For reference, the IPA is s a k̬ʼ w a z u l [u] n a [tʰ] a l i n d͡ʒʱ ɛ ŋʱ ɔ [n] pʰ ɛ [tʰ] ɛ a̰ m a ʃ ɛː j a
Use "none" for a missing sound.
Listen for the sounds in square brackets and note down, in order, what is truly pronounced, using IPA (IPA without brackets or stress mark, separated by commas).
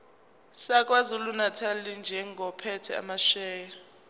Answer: u, tʰ, none, tʰ